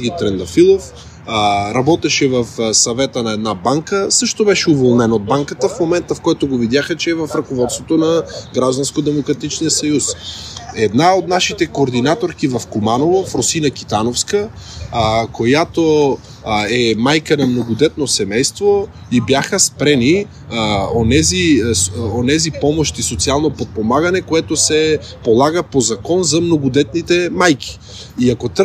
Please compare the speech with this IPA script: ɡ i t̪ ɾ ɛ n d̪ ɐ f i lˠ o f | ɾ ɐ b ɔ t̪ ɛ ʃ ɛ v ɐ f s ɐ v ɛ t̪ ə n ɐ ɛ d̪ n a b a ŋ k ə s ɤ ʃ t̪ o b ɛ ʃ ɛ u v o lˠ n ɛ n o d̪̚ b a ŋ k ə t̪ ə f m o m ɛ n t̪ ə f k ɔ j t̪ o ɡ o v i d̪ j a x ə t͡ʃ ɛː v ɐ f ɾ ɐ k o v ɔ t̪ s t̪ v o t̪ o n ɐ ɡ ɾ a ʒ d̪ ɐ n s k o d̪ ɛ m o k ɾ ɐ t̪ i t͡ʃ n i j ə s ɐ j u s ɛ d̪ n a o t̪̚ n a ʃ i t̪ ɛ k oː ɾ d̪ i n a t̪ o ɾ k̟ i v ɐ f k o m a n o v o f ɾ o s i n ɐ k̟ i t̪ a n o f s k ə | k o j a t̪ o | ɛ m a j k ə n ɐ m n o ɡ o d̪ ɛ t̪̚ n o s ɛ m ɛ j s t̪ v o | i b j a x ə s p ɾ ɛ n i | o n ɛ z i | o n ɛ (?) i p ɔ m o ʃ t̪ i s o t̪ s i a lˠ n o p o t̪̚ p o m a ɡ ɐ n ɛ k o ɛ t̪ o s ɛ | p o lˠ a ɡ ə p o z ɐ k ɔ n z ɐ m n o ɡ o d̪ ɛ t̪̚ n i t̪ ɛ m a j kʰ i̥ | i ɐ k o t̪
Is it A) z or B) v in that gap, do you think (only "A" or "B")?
A